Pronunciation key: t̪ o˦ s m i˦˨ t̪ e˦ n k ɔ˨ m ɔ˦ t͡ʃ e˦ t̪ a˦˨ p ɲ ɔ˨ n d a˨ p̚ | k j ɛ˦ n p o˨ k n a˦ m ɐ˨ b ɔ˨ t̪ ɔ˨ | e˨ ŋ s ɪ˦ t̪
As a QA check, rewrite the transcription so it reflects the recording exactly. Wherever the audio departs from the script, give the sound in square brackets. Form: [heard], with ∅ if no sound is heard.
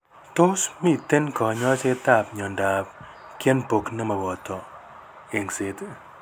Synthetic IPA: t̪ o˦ s m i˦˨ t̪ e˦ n k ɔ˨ [ɲ] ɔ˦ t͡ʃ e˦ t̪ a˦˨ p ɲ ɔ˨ n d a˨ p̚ | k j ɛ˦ n p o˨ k n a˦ m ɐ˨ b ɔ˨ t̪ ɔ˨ | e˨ ŋ s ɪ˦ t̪